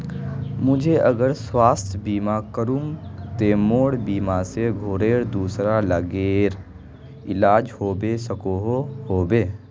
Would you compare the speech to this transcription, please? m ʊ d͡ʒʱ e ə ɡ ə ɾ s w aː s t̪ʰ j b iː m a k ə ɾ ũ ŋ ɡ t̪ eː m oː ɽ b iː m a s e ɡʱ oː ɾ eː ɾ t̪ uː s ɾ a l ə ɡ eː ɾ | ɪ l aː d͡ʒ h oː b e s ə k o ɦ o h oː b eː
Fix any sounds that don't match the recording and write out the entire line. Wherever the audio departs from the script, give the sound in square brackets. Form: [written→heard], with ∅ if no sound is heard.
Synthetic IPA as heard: m ʊ d͡ʒʱ e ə ɡ ə ɾ s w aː s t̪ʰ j b iː m a k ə ɾ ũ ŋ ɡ t̪ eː m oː ɽ b iː m a s e ɡʱ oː ɾ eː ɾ [t̪→d̪] uː s ɾ a l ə ɡ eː ɾ | ɪ l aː d͡ʒ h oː b e s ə k o ɦ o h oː b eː